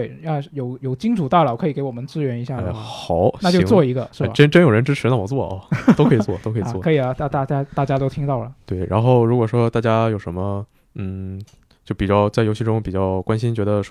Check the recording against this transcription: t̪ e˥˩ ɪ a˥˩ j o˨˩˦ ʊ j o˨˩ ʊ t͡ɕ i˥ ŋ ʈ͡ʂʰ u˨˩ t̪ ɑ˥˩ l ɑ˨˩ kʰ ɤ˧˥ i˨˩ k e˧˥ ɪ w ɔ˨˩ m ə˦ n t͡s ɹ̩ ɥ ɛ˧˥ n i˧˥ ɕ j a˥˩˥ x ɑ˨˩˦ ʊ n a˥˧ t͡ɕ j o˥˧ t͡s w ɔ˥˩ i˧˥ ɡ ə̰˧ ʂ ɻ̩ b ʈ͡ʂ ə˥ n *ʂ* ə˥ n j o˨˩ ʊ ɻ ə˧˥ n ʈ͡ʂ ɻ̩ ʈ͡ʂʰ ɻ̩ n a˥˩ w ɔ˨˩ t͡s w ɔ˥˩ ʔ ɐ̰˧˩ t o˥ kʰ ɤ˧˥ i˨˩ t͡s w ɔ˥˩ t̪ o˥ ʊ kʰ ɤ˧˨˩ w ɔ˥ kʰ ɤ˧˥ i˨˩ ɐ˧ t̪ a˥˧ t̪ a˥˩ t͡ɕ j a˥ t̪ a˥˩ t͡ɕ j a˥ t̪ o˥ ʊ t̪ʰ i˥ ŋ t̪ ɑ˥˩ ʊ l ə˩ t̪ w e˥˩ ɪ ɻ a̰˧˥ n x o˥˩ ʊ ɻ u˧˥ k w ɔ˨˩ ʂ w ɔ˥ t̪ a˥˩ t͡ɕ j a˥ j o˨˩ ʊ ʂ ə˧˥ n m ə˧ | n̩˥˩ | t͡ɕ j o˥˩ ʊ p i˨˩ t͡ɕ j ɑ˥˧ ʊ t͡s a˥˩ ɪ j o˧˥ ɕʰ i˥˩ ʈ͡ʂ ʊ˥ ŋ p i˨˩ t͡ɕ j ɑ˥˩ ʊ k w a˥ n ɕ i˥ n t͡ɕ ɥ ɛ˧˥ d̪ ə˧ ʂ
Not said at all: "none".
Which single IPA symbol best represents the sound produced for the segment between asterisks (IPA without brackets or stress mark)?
ʈ͡ʂ